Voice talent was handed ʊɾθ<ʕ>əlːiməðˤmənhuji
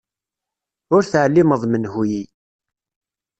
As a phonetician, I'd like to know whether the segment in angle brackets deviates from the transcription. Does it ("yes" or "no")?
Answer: no